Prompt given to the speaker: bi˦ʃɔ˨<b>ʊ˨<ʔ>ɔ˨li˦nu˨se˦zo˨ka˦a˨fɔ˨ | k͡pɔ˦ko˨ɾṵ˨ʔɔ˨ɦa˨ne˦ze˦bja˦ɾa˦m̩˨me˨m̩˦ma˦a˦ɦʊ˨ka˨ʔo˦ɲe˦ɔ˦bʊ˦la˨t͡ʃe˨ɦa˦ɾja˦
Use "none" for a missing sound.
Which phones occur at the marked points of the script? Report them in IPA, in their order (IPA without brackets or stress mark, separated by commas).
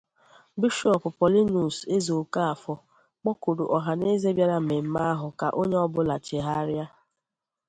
p, p